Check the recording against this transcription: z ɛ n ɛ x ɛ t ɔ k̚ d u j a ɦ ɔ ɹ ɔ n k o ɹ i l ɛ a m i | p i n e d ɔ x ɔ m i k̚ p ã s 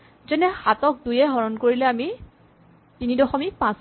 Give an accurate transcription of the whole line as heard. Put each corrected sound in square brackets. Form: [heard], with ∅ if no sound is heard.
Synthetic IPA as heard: z ɛ n ɛ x [a] t ɔ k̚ d u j [ɛ] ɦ ɔ ɹ ɔ n k o ɹ i l ɛ a m i | [t] i n [i] d ɔ x ɔ m i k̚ p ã s